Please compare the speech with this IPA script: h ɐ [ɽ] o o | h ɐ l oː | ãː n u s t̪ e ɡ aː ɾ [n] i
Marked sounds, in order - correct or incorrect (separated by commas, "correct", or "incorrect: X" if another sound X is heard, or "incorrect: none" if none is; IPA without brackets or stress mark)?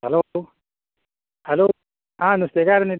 incorrect: l, correct